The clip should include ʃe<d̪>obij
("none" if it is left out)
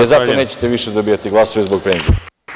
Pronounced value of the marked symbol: d̪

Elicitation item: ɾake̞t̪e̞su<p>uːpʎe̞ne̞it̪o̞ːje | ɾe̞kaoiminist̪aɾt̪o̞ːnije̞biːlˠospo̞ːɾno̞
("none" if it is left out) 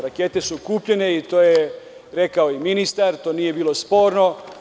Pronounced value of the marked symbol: k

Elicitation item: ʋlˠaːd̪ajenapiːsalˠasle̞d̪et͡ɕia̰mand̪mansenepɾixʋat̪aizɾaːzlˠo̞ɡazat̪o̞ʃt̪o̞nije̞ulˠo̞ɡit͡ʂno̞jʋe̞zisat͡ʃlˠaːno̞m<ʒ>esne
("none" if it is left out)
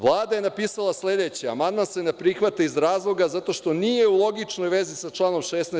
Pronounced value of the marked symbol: ʃ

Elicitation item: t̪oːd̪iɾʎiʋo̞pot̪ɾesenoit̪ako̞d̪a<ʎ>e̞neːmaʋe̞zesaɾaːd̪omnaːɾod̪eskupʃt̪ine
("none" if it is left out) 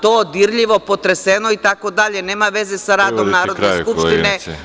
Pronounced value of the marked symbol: ʎ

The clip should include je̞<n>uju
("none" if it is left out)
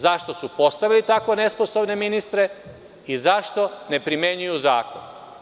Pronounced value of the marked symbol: ɲ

